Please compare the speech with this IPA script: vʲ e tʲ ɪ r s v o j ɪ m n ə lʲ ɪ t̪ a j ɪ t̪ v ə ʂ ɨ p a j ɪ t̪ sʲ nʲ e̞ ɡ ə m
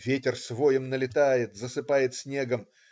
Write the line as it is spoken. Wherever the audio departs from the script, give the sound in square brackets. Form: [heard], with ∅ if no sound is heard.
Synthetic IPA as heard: vʲ e tʲ ɪ r s v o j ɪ m n ə lʲ ɪ t̪ a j ɪ t̪ [z] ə [s] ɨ p a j ɪ t̪ sʲ nʲ e̞ ɡ ə m